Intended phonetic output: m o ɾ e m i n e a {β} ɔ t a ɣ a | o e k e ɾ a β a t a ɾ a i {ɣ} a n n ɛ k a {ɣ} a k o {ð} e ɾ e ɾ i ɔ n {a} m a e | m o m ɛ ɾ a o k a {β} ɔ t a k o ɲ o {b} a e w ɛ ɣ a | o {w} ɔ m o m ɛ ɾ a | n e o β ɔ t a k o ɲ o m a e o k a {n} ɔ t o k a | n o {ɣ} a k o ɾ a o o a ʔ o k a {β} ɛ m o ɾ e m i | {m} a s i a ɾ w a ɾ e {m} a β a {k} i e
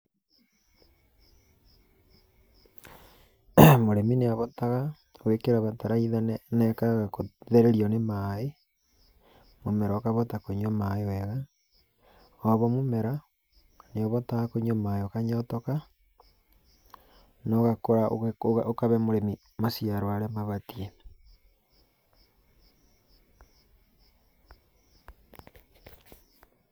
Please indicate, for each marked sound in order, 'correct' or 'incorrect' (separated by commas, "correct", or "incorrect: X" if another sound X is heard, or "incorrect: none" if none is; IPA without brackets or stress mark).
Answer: correct, incorrect: ð, correct, correct, incorrect: e, correct, incorrect: m, incorrect: β, incorrect: ɲ, correct, correct, correct, correct, incorrect: t